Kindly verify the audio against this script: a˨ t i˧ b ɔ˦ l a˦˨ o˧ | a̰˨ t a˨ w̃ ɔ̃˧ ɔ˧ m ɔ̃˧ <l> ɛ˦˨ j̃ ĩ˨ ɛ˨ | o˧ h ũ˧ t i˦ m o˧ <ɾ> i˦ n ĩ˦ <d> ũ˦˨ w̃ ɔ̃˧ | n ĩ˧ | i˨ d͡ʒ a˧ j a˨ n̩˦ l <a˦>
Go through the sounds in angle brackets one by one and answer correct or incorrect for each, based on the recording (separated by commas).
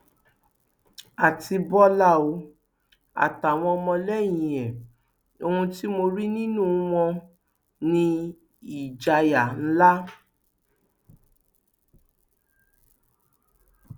correct, correct, incorrect, correct